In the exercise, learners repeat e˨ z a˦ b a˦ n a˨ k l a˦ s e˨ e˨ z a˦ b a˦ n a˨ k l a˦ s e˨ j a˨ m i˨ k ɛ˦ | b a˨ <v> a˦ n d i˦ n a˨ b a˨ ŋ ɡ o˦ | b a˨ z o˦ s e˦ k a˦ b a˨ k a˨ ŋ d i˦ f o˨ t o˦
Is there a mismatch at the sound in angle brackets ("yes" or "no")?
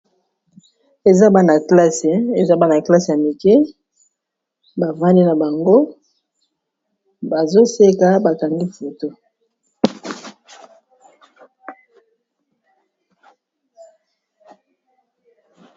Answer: no